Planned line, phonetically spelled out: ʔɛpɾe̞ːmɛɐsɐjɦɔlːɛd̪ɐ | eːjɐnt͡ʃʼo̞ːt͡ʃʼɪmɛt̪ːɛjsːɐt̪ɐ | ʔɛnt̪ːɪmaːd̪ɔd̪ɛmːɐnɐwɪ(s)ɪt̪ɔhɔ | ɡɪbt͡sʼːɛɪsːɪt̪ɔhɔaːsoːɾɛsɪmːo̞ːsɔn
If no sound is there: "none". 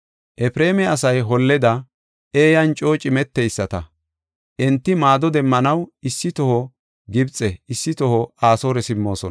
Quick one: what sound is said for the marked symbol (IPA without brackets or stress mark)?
sː